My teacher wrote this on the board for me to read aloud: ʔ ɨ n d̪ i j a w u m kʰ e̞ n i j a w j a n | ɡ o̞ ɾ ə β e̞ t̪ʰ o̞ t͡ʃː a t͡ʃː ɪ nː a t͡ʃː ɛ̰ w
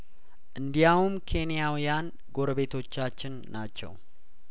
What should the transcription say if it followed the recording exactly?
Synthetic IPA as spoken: ʔ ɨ n d̪ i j a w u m kʰ e̞ n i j a w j a n | ɡ o̞ ɾ ə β e̞ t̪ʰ o̞ t͡ʃː a t͡ʃː ɪ nː a t͡ʃː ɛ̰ w